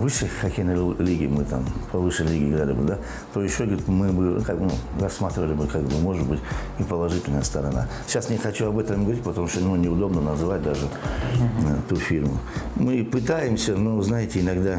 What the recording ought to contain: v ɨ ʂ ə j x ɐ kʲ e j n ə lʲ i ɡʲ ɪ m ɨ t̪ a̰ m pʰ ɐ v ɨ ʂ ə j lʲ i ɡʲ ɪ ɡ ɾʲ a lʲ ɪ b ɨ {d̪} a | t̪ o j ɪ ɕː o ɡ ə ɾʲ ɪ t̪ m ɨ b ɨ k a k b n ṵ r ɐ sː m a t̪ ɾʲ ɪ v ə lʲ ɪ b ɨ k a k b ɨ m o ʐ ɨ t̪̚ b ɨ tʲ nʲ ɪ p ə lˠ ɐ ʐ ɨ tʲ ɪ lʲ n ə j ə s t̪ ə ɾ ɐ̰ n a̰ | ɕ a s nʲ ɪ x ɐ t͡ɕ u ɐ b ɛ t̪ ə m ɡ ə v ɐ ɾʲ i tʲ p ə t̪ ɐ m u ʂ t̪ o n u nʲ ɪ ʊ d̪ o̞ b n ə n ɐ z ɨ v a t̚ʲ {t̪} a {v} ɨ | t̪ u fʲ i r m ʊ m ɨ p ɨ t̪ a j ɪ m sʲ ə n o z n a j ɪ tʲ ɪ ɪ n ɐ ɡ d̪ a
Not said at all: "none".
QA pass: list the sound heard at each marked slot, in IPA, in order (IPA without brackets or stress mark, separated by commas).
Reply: d̪, d̪, ʐ